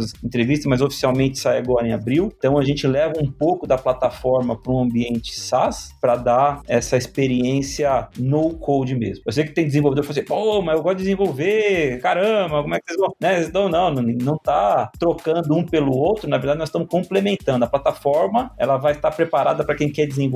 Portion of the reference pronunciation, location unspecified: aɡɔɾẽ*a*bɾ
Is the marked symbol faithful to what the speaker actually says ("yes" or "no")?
yes